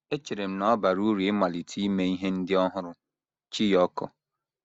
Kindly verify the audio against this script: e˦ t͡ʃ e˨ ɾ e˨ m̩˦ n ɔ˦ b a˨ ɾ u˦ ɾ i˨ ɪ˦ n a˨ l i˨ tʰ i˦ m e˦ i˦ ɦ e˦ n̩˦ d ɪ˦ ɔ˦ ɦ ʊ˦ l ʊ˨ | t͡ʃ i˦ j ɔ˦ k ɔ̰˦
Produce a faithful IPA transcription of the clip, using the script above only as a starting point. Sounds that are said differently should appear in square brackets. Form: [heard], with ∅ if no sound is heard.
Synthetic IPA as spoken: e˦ t͡ʃ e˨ ɾ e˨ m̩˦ n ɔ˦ b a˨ ɾ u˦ ɾ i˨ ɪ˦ [m] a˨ l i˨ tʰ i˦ m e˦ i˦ ɦ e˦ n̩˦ d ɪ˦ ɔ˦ ɦ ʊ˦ [ɾ] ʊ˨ | t͡ʃ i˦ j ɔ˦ k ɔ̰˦